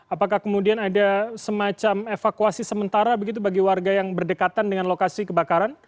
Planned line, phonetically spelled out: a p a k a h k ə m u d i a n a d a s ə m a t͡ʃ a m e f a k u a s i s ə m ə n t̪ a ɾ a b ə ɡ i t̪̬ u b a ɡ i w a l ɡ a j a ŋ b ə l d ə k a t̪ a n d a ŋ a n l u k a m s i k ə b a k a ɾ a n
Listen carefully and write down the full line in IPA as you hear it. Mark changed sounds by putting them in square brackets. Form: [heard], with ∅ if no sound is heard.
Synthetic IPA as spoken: a p a k a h k ə m u d i a n a d a s ə m a t͡ʃ a m e f a k u a s i s ə m ə n t̪ a ɾ a b ə ɡ i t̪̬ u b a ɡ i w a [r] ɡ a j a ŋ b ə [r] d ə k a t̪ a n d [ə] ŋ a n l [o] k a [∅] s i k ə b a k a ɾ a n